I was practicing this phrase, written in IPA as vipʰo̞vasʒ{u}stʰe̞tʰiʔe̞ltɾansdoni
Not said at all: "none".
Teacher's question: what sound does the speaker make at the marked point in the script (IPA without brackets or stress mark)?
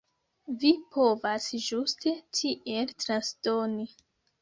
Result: u